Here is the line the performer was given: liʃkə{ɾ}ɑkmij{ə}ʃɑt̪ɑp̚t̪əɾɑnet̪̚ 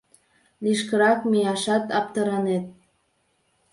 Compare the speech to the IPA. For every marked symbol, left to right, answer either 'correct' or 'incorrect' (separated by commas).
correct, incorrect